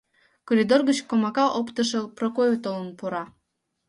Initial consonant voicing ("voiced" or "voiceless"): voiceless